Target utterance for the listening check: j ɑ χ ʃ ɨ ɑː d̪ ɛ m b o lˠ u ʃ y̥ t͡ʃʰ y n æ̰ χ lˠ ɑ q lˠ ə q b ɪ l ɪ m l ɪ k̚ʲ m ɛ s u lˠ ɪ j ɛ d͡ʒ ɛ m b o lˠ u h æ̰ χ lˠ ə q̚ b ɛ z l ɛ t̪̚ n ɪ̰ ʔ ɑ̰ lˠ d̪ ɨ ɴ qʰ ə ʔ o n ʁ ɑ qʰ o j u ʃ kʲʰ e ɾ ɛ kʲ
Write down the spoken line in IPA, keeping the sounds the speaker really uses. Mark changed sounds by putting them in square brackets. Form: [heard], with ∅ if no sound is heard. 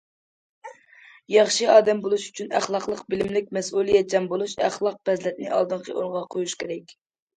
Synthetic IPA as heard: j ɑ χ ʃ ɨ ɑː d̪ ɛ m b o lˠ u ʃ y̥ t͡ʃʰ y n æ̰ χ lˠ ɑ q lˠ ə q b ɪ l ɪ m l ɪ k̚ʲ m ɛ s u lˠ [i] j ɛ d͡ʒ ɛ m b o lˠ u [ʃ] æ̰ χ lˠ [ɑ] q̚ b ɛ z l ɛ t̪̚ n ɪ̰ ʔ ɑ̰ lˠ d̪ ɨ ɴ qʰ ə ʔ o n ʁ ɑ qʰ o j u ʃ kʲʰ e ɾ ɛ kʲ